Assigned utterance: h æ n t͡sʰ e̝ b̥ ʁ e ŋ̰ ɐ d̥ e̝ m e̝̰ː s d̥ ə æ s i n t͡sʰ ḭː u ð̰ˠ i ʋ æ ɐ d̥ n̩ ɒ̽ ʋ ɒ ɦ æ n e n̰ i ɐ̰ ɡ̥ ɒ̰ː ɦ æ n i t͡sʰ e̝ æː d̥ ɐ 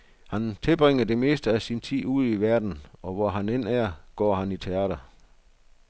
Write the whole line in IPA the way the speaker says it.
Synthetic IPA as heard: h æ n t͡sʰ e̝ b̥ ʁ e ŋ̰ ɐ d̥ e̝ m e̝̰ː s d̥ ə æ s i n t͡sʰ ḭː u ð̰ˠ i ʋ æ ɐ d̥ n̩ ɒ̽ ʋ ɒ ɦ æ n e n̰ æ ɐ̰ ɡ̥ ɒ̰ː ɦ æ n i t͡sʰ e̝ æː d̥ ɐ